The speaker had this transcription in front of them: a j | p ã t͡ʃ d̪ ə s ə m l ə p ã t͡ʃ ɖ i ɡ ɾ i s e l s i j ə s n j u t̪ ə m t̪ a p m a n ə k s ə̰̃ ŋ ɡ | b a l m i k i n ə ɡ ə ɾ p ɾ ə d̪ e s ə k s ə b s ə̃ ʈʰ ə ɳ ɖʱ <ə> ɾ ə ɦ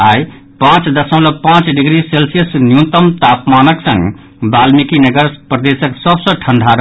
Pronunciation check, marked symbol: incorrect: a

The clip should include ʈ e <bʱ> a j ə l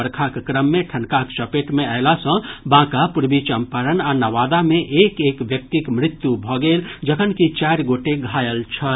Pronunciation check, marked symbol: incorrect: ɡʱ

